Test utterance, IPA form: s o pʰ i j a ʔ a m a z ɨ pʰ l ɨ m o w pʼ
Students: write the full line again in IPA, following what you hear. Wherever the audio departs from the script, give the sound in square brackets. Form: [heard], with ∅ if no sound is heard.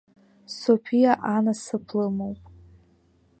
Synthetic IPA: s o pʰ i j a ʔ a [n] a [s] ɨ pʰ l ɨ m o w pʼ